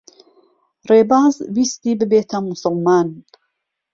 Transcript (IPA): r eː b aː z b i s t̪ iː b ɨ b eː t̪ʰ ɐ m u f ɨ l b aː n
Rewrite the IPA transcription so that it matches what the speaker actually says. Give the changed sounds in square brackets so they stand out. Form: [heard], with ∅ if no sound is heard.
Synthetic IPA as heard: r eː b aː z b i s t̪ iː b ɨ b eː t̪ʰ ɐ m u [s] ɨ l [m] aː n